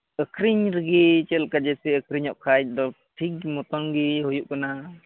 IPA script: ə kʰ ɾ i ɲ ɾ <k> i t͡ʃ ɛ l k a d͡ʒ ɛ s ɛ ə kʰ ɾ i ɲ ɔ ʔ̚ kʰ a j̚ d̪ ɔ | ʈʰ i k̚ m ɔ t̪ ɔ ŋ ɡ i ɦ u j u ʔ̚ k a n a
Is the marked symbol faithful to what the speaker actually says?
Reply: no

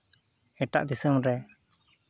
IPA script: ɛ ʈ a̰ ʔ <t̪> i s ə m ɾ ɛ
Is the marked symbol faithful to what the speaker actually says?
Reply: no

